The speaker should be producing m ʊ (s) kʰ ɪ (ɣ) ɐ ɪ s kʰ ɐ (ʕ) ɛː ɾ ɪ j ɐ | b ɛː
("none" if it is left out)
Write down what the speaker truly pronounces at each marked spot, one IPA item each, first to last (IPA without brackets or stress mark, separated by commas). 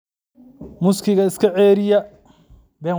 s, ɣ, ʕ